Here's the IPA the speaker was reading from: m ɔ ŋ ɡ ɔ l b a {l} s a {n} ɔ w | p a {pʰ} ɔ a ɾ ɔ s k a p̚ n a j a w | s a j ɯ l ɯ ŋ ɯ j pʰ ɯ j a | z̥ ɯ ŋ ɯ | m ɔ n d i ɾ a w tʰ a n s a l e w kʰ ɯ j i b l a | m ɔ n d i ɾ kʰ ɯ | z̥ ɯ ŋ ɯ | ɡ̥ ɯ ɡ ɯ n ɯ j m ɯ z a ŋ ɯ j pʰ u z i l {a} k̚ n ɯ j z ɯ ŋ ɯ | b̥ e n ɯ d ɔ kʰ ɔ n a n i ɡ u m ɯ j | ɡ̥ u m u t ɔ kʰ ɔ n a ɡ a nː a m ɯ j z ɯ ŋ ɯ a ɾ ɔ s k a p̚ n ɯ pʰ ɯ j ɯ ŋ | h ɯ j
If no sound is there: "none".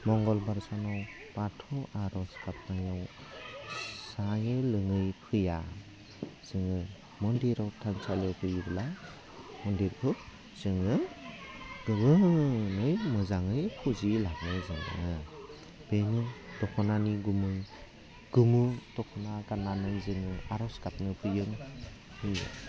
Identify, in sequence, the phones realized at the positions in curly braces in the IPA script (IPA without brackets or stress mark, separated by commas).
ɾ, n, tʰ, a